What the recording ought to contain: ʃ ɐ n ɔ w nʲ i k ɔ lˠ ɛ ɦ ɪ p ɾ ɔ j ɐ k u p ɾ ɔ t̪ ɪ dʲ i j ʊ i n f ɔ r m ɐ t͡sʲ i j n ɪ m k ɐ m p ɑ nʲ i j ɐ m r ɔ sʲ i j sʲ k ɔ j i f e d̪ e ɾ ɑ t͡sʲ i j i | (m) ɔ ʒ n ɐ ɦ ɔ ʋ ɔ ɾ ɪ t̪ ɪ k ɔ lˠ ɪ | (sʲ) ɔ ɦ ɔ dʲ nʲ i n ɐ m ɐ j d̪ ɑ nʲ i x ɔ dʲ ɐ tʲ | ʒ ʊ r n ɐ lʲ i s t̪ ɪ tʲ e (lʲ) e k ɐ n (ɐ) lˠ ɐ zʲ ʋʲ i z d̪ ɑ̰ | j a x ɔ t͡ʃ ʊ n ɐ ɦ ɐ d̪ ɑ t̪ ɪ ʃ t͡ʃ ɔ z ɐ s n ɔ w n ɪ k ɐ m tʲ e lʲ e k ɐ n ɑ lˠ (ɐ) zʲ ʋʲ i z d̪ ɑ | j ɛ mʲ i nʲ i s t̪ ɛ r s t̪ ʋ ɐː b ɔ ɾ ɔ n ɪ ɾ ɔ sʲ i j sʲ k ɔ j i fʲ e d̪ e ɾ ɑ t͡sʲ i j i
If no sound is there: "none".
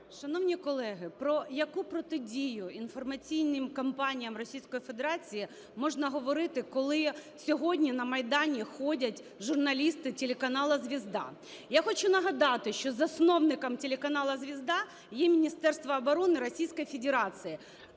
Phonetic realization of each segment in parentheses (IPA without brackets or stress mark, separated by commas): m, sʲ, lʲ, ɑ, ɐ